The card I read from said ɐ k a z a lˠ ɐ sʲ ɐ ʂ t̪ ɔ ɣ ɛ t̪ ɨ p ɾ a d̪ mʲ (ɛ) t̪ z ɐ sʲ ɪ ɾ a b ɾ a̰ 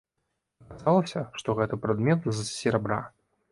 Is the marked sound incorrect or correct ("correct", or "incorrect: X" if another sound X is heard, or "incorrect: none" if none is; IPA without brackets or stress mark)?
correct